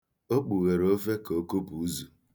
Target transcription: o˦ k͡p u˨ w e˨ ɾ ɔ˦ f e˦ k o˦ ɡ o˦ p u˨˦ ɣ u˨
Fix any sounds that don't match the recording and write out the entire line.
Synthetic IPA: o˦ k͡p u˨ ɣ e˨ ɾ o˦ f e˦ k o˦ k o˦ p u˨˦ z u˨